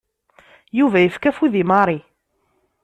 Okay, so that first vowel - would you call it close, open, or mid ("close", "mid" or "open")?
close